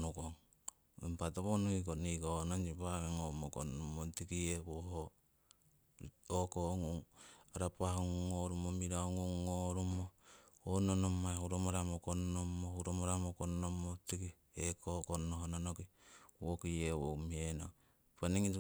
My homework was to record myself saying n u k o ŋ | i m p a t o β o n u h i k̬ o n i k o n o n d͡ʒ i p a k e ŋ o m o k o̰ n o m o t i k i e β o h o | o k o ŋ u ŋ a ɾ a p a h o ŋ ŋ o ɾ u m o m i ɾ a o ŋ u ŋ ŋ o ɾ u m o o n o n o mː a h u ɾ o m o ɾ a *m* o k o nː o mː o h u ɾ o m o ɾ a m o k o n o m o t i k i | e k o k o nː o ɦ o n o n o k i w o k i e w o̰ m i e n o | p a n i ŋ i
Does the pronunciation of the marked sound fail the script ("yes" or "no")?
no